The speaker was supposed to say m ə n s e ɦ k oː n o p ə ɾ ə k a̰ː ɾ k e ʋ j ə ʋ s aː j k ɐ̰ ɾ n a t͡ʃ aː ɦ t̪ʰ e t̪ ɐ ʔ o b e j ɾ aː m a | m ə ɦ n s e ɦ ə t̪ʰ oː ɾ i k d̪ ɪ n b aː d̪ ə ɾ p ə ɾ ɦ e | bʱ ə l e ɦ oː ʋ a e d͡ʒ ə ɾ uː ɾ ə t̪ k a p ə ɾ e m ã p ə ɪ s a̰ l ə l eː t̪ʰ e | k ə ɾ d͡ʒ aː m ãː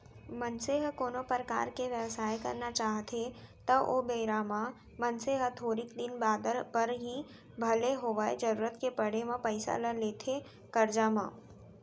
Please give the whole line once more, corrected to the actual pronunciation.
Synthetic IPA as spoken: m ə n s e ɦ k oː n o p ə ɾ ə k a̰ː ɾ k e ʋ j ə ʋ s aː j k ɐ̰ ɾ n a t͡ʃ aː ɦ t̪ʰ e t̪ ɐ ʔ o b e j ɾ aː m a | m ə n s e ɦ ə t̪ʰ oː ɾ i k d̪ ɪ n b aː d̪ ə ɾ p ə ɾ ɦ i | bʱ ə l e ɦ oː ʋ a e d͡ʒ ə ɾ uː ɾ ə t̪ k e p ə ɽ e m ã p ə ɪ s a̰ l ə l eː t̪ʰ e | k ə ɾ d͡ʒ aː m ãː